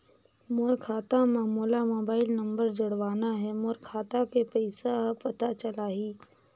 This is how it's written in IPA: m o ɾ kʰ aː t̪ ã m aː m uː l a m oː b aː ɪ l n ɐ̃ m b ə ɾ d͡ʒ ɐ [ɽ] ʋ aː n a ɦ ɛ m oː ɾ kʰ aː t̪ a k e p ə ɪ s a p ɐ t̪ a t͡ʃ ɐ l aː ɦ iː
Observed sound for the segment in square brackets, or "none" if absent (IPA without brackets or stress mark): ɽ